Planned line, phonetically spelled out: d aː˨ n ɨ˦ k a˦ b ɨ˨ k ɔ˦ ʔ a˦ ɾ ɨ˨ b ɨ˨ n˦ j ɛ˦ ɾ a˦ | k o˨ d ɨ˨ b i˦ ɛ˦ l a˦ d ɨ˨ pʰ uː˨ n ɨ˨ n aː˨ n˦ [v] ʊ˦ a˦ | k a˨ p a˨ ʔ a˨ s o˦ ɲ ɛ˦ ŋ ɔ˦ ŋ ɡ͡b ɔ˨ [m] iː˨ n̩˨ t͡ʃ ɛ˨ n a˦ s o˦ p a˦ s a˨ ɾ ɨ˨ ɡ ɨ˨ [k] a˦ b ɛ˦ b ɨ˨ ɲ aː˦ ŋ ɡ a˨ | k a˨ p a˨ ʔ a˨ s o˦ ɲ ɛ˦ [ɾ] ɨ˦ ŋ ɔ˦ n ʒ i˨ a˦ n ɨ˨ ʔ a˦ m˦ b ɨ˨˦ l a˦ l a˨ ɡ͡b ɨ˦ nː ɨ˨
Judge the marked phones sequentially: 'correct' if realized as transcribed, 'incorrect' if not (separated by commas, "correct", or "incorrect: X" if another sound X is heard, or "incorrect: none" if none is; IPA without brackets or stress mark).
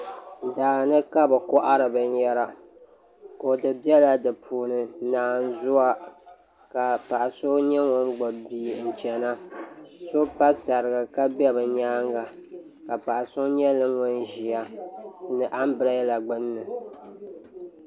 incorrect: z, incorrect: b, correct, incorrect: l